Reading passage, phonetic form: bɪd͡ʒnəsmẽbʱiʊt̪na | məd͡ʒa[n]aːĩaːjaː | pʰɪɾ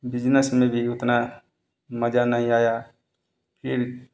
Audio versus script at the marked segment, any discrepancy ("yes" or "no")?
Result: no